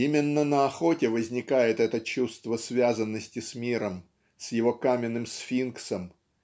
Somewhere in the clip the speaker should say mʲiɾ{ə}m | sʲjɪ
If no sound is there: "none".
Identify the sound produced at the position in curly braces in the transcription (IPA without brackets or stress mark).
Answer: ə